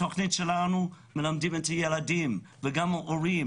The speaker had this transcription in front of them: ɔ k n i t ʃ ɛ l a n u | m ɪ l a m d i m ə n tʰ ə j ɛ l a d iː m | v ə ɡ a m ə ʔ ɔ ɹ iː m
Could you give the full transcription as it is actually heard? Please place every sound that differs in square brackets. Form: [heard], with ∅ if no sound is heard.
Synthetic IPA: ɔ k n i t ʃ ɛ l a n u | m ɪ l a m d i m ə n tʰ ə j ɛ l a d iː m | v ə ɡ a m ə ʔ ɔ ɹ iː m